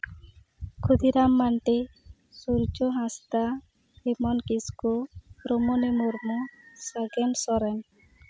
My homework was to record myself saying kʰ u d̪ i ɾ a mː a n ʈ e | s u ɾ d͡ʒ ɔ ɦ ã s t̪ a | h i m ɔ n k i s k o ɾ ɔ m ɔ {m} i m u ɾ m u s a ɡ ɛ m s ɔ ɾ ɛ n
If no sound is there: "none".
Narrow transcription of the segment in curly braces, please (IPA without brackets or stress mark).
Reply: n